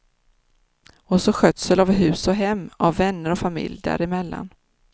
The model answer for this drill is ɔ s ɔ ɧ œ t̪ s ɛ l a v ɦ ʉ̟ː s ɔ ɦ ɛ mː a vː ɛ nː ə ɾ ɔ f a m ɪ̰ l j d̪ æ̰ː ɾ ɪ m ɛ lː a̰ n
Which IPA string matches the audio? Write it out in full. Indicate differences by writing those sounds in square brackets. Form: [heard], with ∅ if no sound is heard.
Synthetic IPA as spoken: ɔ s ɔ ɧ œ t̪ s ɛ l a v ɦ ʉ̟ː s ɔ ɦ ɛ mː a vː ɛ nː ə ɾ ɔ f a m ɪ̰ l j d̪ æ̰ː ɾ ɪ m ɛ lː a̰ n